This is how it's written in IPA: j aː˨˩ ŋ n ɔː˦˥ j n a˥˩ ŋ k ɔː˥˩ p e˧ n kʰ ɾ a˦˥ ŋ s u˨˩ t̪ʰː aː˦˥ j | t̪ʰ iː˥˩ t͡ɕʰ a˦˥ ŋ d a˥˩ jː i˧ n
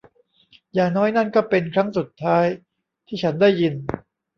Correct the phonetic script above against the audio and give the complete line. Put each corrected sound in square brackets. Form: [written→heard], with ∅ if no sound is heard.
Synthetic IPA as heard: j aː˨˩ ŋ n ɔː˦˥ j n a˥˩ [ŋ→n] k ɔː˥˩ p e˧ n kʰ ɾ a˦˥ ŋ s u˨˩ t̪ʰː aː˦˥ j | t̪ʰ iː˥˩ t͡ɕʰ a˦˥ [ŋ→n] d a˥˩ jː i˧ n